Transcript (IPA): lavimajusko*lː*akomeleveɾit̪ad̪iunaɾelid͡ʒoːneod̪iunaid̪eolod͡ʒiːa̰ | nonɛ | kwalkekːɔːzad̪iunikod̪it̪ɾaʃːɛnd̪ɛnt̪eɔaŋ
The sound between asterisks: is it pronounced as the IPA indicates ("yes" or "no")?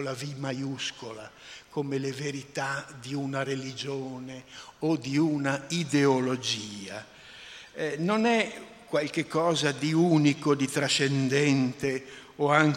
no